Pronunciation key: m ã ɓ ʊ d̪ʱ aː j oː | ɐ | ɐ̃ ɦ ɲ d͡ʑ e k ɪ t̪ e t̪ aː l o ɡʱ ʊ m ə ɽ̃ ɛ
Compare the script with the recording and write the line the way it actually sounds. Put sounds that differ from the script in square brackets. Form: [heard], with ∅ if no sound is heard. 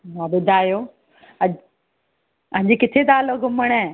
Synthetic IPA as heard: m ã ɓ ʊ d̪ʱ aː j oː | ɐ | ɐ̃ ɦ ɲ d͡ʑ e k ɪ [t̪ʰ] e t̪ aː l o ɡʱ ʊ m ə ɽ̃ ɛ

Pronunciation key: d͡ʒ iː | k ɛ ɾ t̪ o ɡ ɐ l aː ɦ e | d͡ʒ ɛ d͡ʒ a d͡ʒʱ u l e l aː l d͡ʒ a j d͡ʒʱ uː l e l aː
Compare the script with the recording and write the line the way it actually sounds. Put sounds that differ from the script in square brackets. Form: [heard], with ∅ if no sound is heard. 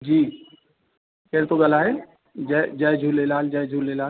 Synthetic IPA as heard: d͡ʒ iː | k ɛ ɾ t̪ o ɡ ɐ l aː ɦ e | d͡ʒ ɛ d͡ʒ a d͡ʒʱ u l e l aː l d͡ʒ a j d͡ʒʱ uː l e l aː

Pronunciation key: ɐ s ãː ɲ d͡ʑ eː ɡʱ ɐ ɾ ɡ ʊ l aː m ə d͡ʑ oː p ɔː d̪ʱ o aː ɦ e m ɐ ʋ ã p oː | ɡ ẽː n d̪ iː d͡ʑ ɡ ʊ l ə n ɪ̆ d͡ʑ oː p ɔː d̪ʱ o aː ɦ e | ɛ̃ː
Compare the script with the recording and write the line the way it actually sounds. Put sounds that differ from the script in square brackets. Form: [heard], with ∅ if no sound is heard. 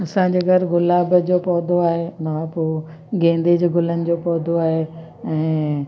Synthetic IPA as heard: ɐ s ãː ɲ d͡ʑ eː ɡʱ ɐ ɾ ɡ ʊ l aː [b] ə d͡ʑ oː p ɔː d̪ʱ o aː ɦ e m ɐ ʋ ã p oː | ɡ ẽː n d̪ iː d͡ʑ ɡ ʊ l ə n ɪ̆ d͡ʑ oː p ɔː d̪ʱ o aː ɦ e | ɛ̃ː

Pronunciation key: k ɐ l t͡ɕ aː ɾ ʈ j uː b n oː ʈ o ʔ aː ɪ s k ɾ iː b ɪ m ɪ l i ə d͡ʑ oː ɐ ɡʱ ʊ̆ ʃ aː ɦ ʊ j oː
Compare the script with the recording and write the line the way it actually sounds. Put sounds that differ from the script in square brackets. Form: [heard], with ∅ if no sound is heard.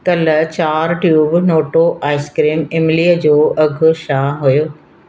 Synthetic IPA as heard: k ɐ l t͡ɕ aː ɾ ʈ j uː b n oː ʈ o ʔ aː ɪ s k ɾ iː [m] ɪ m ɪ l i ə d͡ʑ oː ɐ ɡʱ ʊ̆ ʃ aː ɦ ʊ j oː

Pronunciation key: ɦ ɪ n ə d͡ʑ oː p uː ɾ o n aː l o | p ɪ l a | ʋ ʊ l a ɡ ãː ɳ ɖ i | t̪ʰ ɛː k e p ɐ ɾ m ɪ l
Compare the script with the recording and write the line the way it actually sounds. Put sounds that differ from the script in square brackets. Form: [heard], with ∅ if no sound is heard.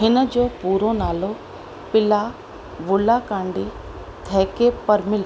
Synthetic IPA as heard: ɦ ɪ n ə d͡ʑ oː p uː ɾ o n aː l o | p ɪ l a | ʋ ʊ l a [k] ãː ɳ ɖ i | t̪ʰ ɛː k e p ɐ ɾ m ɪ l

